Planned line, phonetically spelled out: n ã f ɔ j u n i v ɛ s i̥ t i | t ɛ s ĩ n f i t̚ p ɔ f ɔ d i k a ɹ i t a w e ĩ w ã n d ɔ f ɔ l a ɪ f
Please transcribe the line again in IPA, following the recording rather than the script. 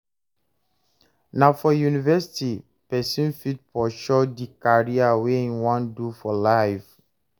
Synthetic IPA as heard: n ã f ɔ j u n i v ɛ s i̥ t i | p ɛ s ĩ n f i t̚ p ɔ ʃ ɔ d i k a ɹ i a w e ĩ w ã n d u f ɔ l a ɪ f